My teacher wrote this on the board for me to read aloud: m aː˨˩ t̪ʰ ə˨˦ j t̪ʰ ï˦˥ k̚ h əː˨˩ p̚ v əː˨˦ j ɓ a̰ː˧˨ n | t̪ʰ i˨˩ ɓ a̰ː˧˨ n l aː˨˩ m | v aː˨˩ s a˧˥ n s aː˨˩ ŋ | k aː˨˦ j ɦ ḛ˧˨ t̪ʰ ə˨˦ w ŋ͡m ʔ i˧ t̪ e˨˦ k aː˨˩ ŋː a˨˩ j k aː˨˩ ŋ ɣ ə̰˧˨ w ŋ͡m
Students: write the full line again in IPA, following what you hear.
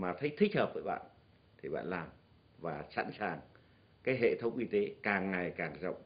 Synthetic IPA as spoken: m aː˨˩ t̪ʰ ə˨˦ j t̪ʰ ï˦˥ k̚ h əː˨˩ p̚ v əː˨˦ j ɓ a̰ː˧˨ n | t̪ʰ i˨˩ ɓ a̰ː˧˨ n l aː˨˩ m | v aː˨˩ s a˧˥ n s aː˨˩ ŋ | k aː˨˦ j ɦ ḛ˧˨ t̪ʰ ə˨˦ w ŋ͡m ʔ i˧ t̪ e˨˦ k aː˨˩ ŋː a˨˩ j k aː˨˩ ŋ z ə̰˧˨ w ŋ͡m